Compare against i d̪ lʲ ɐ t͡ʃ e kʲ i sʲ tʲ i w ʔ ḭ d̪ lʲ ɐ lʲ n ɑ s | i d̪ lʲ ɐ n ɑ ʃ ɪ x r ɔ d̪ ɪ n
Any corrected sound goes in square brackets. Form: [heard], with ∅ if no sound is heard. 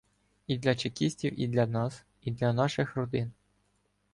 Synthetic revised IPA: i d̪ lʲ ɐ t͡ʃ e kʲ i sʲ tʲ i w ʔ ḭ d̪ lʲ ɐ [∅] n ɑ s | i d̪ lʲ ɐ n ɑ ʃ ɪ x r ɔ d̪ ɪ n